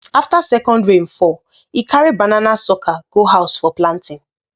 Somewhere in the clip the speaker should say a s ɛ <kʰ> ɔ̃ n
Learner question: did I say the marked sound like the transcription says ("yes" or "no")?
no